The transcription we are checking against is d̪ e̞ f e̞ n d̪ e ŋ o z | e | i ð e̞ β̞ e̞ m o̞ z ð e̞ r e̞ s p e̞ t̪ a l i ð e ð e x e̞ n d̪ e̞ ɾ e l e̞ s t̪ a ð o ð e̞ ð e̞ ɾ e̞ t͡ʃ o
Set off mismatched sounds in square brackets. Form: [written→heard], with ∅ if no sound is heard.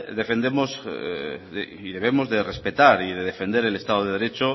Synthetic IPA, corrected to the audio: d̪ e̞ f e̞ n d̪ e [ŋ→m] o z | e | i ð e̞ β̞ e̞ m o̞ z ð e̞ r e̞ s p e̞ t̪ a [l→ɾ] i ð e ð e [x→f] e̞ n d̪ e̞ ɾ e l e̞ s t̪ a ð o ð e̞ ð e̞ ɾ e̞ t͡ʃ o